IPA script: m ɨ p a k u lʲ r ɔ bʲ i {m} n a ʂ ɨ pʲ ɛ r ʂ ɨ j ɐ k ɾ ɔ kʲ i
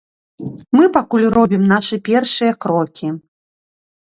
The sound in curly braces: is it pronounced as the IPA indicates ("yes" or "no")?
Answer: yes